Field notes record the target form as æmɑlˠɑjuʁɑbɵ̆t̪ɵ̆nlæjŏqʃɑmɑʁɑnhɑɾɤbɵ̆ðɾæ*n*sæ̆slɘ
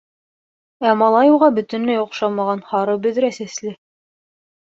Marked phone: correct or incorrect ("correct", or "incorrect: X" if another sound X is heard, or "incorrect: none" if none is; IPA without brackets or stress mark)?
incorrect: none